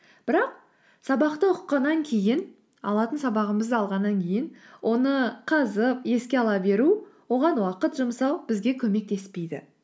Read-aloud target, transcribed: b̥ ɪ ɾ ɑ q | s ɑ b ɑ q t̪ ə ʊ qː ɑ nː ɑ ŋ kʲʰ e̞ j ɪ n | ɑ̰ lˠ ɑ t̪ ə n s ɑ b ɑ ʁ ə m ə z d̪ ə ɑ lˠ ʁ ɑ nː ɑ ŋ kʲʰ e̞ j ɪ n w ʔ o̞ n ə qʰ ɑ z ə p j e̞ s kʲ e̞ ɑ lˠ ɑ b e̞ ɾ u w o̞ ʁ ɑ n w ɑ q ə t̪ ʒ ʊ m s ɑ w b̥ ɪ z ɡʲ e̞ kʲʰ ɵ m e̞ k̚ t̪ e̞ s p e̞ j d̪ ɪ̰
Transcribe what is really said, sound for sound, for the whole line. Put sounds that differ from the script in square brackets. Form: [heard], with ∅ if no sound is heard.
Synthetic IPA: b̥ ɪ ɾ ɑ q | s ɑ b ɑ q t̪ ə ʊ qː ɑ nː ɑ ŋ kʲʰ e̞ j ɪ n | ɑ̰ lˠ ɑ t̪ ə n s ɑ b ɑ ʁ ə m ə z d̪ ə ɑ lˠ ʁ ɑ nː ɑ ŋ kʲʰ e̞ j ɪ n w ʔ o̞ n ə qʰ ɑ z ə p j e̞ s kʲ e̞ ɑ lˠ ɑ b e̞ ɾ u w o̞ ʁ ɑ n w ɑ q ə t̪ ʒ ʊ m s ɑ w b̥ ɪ z ɡʲ e̞ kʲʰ ɵ m e̞ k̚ t̪ e̞ s p e̞ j d̪ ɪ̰